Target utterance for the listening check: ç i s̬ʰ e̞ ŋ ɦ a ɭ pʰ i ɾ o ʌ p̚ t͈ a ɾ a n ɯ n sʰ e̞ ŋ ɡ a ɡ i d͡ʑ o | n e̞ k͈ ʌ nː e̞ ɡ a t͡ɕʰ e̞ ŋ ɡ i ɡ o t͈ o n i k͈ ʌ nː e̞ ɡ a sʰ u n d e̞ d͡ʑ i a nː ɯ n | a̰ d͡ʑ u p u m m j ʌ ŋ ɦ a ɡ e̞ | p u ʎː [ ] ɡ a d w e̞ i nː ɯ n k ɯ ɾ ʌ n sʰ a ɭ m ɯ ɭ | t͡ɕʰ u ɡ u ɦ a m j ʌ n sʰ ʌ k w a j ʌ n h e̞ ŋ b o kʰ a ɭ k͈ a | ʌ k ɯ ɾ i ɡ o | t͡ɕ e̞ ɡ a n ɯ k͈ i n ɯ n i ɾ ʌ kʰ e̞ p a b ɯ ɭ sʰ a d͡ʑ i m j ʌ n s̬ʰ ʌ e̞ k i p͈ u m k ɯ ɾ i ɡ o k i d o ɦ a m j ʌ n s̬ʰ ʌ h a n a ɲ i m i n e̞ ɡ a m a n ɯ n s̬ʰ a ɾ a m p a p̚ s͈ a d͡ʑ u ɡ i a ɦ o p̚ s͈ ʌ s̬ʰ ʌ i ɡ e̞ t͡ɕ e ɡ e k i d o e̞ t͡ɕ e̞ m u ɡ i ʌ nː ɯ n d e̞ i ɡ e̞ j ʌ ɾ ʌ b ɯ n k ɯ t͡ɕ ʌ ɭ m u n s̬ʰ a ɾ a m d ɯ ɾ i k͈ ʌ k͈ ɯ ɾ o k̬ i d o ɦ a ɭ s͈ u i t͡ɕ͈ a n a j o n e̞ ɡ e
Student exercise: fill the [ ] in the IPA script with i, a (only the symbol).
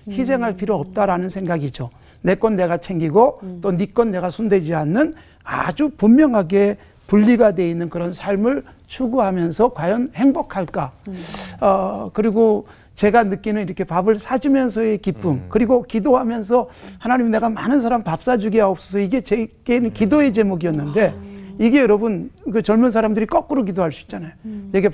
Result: i